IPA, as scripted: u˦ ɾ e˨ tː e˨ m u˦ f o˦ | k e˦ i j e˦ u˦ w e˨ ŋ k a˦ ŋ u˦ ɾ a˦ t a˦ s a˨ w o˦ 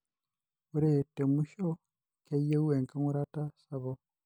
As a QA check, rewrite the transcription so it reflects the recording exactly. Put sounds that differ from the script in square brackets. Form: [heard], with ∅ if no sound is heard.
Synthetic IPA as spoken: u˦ ɾ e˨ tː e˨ m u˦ [ʃ] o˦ | k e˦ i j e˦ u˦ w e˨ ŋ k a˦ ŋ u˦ ɾ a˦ t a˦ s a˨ [β] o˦